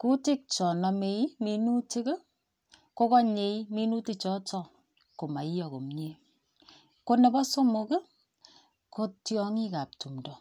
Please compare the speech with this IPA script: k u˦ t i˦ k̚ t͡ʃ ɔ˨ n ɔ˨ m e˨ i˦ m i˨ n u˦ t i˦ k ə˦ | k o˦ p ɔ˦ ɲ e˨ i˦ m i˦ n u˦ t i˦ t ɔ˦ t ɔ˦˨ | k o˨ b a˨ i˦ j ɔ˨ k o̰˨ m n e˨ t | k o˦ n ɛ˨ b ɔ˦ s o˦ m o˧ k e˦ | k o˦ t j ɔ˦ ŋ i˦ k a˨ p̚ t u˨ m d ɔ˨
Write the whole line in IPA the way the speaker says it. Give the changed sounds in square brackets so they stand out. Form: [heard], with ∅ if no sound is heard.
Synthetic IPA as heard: k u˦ t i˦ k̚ t͡ʃ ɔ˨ n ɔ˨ m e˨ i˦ m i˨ n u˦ t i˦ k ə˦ | k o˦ [k] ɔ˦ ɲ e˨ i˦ m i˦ n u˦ t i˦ [t͡ʃ] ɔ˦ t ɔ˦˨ | k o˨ [m] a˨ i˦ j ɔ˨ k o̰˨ m [ɲ] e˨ [∅] | k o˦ n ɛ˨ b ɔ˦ s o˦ m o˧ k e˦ | k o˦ t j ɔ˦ ŋ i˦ k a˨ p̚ t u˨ m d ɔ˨

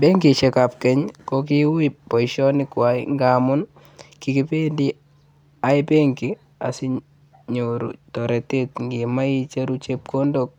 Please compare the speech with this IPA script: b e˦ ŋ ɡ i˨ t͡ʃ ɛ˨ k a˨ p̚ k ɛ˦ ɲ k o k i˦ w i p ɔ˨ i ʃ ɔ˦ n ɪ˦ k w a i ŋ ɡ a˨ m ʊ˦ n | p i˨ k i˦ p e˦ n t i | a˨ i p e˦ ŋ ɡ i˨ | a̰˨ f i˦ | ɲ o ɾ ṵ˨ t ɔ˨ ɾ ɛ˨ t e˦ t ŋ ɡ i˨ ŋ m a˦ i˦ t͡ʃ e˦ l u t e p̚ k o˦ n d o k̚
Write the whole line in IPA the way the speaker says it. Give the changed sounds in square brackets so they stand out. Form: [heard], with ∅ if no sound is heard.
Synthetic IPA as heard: b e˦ ŋ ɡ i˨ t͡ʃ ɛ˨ k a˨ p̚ k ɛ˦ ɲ k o k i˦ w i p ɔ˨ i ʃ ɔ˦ n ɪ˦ k w a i ŋ ɡ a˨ m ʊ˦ n | [k] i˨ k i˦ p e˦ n [d] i | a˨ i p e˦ ŋ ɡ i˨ | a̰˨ [s] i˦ | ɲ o ɾ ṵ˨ t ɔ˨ ɾ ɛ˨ t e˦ t ŋ ɡ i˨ [∅] m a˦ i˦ t͡ʃ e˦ [ɾ] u [t͡ʃ] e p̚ k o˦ n d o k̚

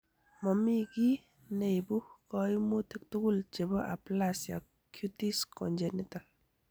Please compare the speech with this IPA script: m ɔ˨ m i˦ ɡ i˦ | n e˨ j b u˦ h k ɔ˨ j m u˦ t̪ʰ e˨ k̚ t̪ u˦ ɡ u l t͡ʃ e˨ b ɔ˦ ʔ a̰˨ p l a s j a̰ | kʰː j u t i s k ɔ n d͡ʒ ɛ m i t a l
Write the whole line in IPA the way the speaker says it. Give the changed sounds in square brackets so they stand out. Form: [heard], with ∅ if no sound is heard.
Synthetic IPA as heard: m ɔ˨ m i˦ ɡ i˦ | n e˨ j b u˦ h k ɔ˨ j m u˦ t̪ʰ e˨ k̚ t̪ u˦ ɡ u l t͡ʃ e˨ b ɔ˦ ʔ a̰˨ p l a s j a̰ | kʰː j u t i s k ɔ n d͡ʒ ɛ [n] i t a l

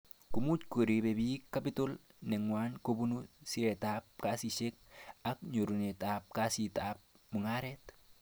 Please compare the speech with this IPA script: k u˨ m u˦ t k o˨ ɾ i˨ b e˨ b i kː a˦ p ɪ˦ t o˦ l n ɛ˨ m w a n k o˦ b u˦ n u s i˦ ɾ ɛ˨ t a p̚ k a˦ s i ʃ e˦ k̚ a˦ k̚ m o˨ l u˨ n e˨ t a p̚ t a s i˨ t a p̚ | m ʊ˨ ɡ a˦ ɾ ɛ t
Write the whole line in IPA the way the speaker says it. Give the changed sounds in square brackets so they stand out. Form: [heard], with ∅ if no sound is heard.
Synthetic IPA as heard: k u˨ m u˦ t k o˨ ɾ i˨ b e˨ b i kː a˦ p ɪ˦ t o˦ l n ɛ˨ [ŋ] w a n k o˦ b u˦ n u s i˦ ɾ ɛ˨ t a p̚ k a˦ s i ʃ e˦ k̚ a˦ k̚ [ɲ] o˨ [ɾ] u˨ n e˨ t a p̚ [k] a s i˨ t a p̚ | m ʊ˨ [ŋ] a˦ ɾ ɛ t

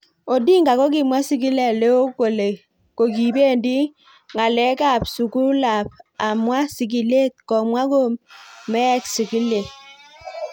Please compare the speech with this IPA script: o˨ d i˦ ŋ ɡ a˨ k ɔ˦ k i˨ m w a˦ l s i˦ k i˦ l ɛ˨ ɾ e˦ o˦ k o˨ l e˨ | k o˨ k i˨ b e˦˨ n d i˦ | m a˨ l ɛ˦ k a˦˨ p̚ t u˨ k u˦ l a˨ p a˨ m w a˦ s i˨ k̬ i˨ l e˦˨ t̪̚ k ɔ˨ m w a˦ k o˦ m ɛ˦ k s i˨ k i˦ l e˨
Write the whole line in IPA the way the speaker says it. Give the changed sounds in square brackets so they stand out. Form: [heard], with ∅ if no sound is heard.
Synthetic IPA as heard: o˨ d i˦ ŋ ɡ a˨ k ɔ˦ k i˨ m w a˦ [∅] s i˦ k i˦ l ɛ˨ [l] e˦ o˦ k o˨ l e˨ | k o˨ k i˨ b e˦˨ n d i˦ | [ŋ] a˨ l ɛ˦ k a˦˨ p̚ [s] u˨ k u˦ l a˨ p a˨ m w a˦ s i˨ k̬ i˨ l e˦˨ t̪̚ k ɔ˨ m w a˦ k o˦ m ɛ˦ k s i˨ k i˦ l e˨

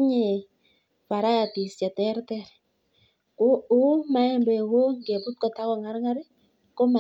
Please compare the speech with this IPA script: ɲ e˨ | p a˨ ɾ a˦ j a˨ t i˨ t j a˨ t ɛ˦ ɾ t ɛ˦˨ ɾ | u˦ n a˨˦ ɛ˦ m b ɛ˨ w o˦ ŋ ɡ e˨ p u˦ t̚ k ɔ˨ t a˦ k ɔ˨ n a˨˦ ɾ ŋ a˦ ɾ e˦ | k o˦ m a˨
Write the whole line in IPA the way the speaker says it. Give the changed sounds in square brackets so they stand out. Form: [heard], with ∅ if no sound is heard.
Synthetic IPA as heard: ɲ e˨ | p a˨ ɾ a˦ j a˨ t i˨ [s] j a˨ t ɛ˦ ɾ t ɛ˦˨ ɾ | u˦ [m] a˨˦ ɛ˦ m b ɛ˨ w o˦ ŋ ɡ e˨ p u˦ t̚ k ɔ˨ t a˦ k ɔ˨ [ŋ] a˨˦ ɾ ŋ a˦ ɾ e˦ | k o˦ m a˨

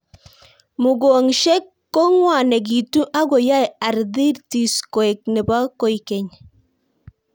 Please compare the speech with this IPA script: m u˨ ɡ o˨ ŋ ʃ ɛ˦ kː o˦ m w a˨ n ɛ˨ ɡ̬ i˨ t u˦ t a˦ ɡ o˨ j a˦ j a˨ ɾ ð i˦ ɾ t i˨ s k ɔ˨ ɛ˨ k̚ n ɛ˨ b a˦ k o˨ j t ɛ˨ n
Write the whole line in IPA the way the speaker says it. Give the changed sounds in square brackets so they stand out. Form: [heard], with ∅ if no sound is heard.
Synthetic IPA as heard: m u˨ ɡ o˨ ŋ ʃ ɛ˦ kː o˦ [ŋ] w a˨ n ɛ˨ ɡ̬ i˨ t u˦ [ʔ] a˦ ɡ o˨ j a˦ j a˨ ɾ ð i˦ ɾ t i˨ s k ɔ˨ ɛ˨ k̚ n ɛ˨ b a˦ k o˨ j [k] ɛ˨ [ɲ]

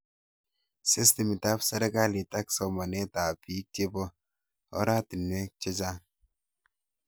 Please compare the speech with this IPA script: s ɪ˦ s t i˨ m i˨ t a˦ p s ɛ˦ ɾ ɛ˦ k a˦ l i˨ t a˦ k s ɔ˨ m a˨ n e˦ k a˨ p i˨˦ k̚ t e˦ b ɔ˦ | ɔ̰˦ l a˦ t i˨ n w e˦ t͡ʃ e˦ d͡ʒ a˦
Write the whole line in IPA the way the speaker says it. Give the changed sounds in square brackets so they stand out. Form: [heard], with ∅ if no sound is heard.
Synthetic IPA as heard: s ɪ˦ s t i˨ m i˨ t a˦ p s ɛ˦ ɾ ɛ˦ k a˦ l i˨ t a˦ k s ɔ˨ m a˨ n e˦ [t] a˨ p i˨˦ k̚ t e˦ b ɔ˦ | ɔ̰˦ [ɾ] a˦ t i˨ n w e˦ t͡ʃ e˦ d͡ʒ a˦

